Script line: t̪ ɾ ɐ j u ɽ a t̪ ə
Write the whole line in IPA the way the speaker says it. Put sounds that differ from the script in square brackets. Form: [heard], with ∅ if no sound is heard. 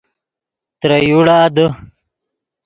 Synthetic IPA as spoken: t̪ ɾ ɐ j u ɽ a [d̪] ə

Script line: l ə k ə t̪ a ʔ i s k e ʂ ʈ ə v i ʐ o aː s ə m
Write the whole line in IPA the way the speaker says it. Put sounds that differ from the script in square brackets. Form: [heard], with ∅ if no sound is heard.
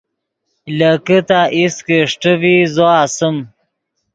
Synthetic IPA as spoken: l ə k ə t̪ a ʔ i s k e ʂ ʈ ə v i [z] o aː s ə m

